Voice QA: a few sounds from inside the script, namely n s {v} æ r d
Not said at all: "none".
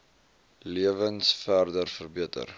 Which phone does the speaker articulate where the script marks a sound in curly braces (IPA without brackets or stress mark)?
f